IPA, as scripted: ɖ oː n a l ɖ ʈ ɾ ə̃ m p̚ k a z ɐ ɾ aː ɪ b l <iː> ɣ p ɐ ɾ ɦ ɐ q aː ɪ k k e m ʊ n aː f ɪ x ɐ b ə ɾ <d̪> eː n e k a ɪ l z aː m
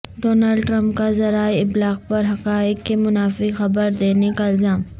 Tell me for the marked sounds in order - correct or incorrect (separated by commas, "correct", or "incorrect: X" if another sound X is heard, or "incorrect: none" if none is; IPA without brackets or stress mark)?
incorrect: aː, correct